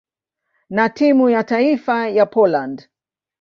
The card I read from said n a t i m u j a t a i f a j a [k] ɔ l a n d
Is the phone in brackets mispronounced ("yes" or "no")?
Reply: yes